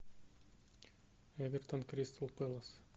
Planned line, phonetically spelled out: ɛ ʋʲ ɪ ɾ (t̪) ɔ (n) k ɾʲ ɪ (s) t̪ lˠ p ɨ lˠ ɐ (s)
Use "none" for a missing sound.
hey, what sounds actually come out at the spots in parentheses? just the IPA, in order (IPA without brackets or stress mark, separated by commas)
t̪, n, s, s